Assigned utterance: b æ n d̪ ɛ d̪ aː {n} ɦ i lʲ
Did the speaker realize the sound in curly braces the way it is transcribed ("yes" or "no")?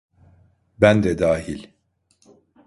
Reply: no